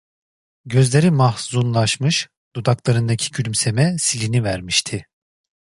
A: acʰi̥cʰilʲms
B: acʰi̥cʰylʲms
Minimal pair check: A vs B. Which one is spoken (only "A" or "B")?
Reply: B